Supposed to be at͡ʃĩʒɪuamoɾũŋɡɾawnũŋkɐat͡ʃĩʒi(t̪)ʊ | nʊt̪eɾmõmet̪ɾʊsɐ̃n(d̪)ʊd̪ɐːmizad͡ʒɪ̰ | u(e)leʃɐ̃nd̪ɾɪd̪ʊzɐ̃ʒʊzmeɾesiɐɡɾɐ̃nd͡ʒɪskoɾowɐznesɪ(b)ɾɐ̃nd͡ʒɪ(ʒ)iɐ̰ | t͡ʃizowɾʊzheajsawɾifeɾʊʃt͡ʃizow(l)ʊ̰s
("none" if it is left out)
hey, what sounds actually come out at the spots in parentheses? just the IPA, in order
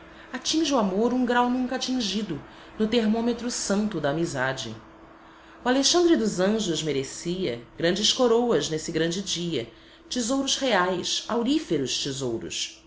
d̪, t̪, a, ɡ, d͡ʒ, ɾ

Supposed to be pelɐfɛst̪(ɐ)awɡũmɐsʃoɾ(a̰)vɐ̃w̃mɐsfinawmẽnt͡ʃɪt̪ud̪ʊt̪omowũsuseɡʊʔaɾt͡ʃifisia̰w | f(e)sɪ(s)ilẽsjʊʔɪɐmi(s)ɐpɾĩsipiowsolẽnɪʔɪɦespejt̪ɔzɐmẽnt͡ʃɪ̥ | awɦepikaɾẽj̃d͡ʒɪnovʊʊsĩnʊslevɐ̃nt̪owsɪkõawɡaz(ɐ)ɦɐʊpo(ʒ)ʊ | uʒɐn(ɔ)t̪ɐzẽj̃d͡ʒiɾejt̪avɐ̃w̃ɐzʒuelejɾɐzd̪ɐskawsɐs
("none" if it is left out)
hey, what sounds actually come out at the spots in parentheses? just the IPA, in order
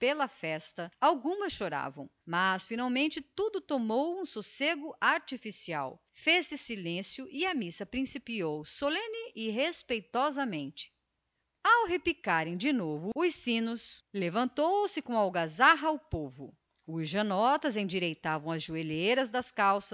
ɐ, a̰, e, s, s, a, v, ɔ

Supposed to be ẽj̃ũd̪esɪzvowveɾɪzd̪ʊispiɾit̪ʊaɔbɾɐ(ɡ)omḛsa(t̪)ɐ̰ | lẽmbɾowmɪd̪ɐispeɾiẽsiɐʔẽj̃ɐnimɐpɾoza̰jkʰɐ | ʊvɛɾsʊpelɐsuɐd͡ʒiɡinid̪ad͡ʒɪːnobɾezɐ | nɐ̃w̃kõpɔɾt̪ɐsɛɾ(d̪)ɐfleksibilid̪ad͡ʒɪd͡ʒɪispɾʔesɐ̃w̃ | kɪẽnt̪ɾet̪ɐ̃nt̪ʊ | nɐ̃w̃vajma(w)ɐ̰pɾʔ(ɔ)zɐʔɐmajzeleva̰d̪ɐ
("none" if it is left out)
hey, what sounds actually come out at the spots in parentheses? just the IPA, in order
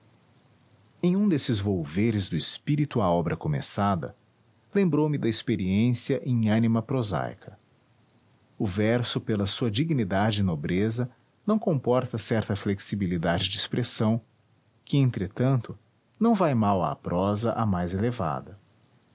k, d̪, t̪, w, ɔ

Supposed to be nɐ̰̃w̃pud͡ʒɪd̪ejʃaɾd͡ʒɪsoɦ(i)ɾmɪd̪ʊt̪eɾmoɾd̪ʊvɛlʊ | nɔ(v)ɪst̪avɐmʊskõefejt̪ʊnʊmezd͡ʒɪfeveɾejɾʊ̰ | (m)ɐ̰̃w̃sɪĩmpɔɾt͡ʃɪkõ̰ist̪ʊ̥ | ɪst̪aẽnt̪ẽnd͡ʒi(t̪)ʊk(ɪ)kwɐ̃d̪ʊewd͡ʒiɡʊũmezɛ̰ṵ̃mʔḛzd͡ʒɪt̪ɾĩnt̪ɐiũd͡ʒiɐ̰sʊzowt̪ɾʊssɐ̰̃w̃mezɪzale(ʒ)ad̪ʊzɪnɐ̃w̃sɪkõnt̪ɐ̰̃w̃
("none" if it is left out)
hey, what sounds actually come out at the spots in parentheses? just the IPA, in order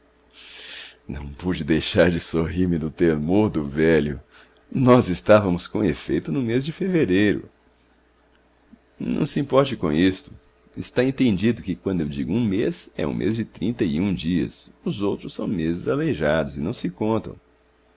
i, z, n, d̪, ɪ, ʒ

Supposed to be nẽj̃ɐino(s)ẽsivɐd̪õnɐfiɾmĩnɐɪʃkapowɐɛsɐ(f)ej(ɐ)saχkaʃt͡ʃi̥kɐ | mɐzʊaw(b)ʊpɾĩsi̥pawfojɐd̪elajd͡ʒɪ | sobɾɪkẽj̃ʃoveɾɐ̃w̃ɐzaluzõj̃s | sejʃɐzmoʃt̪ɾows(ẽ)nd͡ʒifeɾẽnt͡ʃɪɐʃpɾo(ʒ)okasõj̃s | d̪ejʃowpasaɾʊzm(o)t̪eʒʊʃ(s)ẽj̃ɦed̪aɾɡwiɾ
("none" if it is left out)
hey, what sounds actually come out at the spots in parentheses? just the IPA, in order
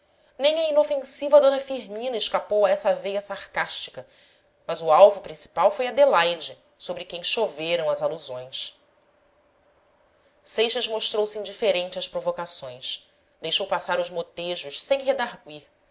f, v, ɐ, v, ĩ, v, o, s

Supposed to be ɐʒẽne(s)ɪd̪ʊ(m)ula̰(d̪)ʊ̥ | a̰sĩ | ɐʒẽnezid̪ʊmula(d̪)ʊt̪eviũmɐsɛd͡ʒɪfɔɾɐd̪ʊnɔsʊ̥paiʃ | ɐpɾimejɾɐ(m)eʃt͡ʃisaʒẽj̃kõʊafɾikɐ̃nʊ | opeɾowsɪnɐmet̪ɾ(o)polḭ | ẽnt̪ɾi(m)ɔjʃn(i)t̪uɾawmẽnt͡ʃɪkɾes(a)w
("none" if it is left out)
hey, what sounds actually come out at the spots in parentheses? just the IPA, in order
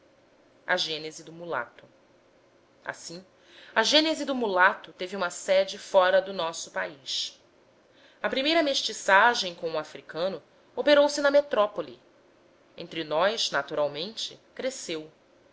z, m, t̪, t̪, m, ɔ, n, a, e

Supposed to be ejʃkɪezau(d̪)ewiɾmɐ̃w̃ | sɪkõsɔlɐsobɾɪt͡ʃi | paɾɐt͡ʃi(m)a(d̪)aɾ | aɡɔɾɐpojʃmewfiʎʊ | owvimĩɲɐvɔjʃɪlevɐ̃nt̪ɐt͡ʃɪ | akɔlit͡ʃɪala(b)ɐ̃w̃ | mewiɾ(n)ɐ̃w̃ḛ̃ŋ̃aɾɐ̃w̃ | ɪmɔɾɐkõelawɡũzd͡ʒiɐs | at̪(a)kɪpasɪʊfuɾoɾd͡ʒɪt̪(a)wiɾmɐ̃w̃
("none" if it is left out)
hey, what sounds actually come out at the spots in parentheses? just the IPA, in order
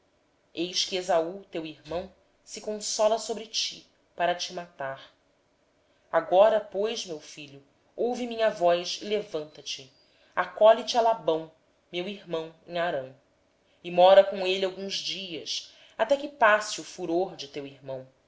t̪, m, t̪, b, m, ɛ, e

